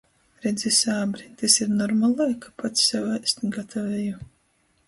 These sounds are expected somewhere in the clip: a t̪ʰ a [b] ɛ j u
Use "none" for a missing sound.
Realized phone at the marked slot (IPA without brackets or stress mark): v